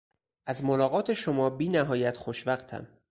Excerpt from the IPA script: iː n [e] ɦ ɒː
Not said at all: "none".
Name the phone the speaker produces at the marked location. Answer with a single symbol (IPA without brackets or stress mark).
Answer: æ